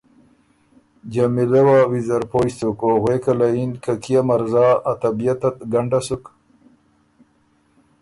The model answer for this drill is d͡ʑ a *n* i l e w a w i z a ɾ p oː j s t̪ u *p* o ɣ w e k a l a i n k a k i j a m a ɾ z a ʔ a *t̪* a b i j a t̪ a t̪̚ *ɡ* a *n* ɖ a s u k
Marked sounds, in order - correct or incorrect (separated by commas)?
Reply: incorrect, incorrect, correct, correct, incorrect